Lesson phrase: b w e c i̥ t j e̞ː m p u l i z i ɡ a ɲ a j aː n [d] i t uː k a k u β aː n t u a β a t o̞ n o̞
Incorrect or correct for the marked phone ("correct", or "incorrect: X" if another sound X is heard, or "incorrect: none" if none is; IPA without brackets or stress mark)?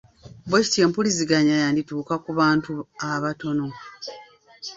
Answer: correct